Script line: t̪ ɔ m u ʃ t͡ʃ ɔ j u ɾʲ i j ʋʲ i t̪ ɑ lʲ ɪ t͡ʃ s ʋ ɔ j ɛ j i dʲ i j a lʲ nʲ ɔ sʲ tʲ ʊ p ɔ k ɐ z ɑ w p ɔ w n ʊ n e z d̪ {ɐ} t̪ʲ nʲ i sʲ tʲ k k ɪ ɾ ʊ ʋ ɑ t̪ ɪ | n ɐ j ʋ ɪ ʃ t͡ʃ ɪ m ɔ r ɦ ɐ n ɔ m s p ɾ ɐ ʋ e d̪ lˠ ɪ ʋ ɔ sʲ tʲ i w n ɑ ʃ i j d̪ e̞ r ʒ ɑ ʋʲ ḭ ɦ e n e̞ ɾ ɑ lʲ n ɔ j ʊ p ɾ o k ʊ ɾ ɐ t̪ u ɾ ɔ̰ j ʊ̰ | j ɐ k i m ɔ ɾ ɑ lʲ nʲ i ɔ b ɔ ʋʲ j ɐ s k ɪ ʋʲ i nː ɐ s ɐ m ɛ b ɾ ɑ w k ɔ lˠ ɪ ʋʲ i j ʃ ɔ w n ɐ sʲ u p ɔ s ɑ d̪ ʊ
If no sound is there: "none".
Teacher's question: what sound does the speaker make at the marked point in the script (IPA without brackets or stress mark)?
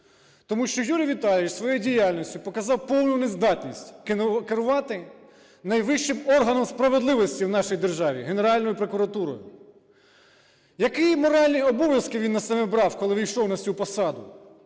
ɑ